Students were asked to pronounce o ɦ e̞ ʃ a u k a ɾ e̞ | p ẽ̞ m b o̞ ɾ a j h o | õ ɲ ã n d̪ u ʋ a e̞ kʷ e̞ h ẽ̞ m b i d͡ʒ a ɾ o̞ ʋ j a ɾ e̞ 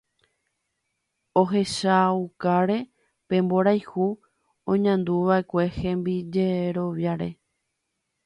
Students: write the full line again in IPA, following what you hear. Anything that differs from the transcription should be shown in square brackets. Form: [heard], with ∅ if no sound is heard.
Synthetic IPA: o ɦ e̞ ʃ a u k a ɾ e̞ | p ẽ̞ m b o̞ ɾ a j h [u] | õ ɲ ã n d̪ u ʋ a e̞ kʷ e̞ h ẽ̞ m b i d͡ʒ [e] ɾ o̞ ʋ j a ɾ e̞